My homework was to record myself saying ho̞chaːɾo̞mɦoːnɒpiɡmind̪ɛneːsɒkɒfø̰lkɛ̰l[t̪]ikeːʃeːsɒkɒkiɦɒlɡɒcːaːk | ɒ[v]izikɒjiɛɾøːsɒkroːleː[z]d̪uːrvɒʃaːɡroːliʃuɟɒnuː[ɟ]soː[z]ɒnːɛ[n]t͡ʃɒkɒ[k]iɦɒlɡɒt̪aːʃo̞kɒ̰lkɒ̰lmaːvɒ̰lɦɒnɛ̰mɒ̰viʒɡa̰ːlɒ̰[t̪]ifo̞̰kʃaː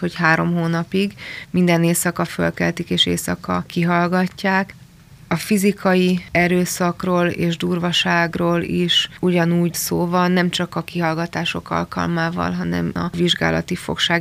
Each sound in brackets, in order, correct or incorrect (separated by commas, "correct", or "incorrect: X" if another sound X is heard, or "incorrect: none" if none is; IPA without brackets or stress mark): correct, incorrect: f, incorrect: ʒ, correct, incorrect: v, incorrect: m, correct, correct